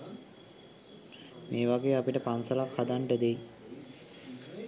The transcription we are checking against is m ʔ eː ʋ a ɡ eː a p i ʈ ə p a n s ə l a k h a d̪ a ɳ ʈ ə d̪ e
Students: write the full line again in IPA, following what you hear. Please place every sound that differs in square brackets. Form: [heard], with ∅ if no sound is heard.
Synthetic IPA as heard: m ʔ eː ʋ a ɡ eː a p i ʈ ə p a n s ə l a k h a d̪ a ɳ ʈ ə d̪ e